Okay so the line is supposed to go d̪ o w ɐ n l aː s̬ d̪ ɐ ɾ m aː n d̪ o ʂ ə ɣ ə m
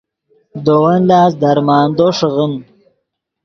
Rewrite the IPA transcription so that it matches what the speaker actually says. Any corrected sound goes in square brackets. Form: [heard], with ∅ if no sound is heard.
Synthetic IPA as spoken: d̪ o w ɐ n l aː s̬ d̪ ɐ ɾ m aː n d̪ o ʂ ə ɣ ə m